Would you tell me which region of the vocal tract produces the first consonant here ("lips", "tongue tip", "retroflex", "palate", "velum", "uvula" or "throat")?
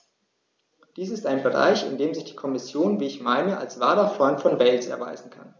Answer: tongue tip